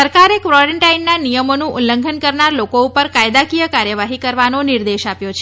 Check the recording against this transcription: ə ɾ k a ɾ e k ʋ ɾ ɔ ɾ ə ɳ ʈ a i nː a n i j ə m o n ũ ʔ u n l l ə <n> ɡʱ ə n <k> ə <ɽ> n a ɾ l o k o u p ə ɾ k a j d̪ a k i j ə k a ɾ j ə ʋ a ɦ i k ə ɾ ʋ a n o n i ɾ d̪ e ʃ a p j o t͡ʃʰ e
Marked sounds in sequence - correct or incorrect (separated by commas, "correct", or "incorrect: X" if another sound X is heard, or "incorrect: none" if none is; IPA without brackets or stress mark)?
incorrect: ŋ, correct, incorrect: ɾ